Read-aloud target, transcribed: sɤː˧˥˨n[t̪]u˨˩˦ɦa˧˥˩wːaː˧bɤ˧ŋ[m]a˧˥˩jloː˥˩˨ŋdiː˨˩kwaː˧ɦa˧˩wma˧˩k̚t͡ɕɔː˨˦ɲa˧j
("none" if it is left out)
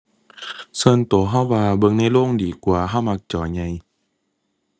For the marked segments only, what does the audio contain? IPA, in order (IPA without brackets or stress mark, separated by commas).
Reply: t̪, n